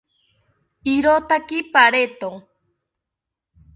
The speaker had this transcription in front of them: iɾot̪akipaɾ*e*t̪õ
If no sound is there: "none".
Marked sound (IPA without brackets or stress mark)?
e